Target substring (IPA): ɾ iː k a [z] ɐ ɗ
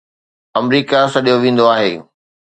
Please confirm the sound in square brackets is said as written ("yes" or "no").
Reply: no